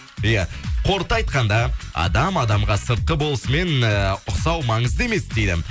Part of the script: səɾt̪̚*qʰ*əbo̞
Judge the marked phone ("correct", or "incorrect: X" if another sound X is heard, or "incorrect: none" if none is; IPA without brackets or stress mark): incorrect: q